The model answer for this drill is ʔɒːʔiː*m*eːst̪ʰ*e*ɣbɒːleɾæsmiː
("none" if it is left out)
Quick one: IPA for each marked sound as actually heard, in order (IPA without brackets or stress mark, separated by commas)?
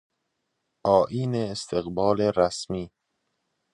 n, e